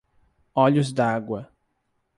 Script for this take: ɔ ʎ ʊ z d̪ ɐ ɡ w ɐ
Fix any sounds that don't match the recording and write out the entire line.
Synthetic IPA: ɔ ʎ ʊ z d̪ a ɡ w ɐ